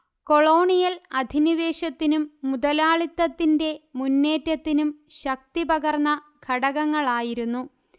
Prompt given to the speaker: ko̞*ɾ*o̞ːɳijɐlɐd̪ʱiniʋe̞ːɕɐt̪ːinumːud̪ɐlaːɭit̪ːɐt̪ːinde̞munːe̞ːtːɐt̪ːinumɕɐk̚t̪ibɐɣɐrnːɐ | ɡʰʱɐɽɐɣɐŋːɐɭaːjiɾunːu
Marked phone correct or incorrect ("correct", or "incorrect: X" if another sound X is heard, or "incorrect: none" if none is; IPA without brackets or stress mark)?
incorrect: ɭ